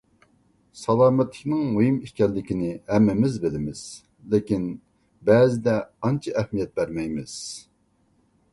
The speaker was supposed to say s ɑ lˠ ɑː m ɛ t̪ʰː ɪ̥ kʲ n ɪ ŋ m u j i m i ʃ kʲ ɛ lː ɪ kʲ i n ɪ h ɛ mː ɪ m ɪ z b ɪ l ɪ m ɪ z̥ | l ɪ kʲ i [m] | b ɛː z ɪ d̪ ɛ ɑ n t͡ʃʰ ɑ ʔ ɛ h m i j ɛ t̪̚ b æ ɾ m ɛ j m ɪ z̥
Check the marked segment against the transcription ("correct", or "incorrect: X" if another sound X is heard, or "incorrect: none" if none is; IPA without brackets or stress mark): incorrect: n